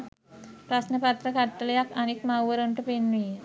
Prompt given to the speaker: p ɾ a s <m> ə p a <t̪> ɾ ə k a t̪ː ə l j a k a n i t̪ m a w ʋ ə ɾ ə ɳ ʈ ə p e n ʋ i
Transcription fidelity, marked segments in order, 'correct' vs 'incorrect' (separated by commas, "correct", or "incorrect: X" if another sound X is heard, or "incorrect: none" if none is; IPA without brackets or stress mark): incorrect: n, correct